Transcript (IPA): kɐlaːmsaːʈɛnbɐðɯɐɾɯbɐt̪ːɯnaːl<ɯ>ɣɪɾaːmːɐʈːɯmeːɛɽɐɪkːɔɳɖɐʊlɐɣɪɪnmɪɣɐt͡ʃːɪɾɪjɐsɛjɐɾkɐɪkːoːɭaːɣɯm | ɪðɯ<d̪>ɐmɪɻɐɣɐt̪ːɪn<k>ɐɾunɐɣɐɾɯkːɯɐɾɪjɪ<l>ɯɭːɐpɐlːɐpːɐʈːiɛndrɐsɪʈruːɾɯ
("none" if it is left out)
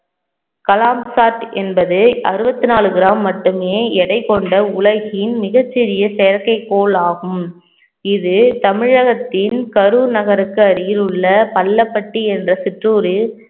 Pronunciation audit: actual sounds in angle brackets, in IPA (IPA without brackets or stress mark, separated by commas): ɯ, t̪, k, l